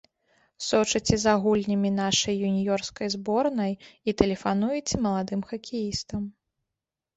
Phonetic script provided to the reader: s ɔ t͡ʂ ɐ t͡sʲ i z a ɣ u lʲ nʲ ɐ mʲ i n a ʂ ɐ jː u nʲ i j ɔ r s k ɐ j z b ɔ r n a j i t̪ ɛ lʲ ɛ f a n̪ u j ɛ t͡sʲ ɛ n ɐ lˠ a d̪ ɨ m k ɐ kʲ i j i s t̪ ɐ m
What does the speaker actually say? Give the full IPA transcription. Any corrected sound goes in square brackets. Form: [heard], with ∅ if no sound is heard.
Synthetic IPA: s ɔ t͡ʂ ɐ t͡sʲ [ɛ] z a ɣ u lʲ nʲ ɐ mʲ i n a ʂ ɐ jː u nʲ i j ɔ r s k ɐ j z b ɔ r n [ɐ] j i t̪ ɛ lʲ ɛ f a n̪ u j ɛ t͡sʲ ɛ [m] ɐ lˠ a d̪ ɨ m [x] ɐ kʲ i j i s t̪ ɐ m